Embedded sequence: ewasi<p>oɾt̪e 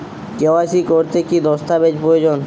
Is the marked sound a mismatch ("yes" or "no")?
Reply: yes